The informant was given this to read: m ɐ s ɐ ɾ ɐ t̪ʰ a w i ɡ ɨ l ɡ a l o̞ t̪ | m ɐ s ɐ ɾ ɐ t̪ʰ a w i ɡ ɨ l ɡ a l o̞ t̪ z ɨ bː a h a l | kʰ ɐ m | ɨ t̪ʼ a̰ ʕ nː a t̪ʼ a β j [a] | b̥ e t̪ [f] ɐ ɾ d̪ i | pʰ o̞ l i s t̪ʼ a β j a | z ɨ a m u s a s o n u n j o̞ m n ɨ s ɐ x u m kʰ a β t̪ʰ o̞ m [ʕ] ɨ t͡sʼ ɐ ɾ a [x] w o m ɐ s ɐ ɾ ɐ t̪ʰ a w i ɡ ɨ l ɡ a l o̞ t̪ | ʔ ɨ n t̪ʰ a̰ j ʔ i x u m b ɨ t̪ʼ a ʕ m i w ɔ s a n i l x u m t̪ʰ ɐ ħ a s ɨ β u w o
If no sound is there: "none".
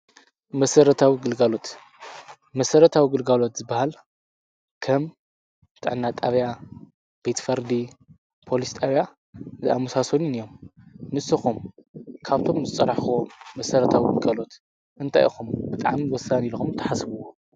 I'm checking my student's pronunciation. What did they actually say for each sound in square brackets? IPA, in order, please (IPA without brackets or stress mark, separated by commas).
a, f, z, ħ